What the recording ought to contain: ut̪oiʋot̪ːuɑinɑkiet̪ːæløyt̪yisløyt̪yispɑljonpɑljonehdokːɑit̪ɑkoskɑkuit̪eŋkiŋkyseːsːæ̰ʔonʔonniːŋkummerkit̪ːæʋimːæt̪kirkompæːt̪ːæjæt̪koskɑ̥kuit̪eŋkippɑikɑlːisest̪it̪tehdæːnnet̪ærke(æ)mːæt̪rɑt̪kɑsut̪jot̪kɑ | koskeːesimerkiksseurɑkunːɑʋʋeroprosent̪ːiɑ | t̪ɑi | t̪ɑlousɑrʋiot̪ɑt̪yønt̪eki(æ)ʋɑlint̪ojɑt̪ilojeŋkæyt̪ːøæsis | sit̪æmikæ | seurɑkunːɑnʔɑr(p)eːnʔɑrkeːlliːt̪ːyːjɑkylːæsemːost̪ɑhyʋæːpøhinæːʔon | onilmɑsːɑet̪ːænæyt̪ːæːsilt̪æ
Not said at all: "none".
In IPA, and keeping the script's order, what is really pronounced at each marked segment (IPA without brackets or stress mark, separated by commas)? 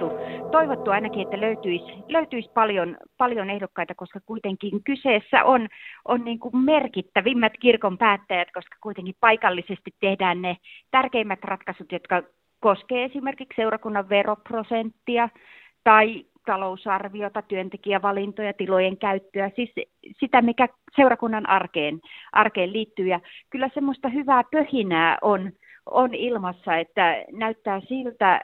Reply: i, æ, k